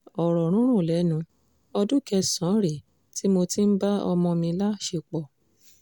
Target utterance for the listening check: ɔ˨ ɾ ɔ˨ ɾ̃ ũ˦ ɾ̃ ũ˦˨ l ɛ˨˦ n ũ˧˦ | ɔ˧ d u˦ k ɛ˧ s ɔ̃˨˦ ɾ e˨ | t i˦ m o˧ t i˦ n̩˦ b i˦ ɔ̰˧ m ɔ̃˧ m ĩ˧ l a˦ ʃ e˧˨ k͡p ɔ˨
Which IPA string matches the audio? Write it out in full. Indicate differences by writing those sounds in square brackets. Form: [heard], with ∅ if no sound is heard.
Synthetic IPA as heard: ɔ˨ ɾ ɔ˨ ɾ̃ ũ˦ ɾ̃ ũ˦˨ l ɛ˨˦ n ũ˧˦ | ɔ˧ d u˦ k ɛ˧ s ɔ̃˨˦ ɾ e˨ | t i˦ m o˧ t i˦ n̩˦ b [a˦] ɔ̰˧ m ɔ̃˧ m ĩ˧ l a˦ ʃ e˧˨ k͡p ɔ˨